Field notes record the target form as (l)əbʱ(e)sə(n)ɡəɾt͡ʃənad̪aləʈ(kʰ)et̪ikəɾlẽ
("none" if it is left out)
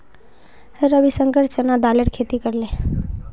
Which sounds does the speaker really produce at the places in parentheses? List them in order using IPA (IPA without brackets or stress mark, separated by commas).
ɾ, i, ŋ, kʰ